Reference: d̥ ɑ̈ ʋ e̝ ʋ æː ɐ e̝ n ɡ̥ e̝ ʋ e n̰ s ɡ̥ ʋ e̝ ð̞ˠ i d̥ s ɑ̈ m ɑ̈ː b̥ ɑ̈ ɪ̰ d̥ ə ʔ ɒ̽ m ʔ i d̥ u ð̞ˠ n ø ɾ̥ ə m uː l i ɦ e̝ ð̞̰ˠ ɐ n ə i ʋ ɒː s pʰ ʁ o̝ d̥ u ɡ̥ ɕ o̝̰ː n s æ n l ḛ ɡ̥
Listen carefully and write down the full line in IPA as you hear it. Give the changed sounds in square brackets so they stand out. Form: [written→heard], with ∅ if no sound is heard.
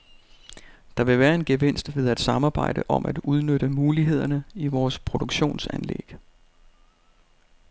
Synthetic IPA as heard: d̥ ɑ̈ ʋ e̝ ʋ æː ɐ e̝ n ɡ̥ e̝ ʋ e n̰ s [ɡ̥→d̥] ʋ e̝ ð̞ˠ [i→æ] d̥ s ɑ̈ m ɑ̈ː b̥ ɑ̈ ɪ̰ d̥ ə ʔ ɒ̽ m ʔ [i→æ] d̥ u ð̞ˠ n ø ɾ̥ ə m uː l i ɦ e̝ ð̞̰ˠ ɐ n ə i ʋ ɒː s pʰ ʁ o̝ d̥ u ɡ̥ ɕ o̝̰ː n s æ n l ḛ ɡ̥